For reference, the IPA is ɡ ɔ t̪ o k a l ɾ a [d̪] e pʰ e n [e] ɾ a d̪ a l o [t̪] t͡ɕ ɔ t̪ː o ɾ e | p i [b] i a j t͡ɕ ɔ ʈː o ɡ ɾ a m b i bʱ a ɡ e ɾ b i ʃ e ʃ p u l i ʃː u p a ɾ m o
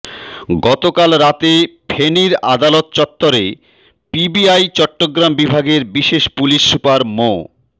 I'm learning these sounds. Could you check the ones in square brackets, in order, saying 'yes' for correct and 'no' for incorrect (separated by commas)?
no, no, yes, yes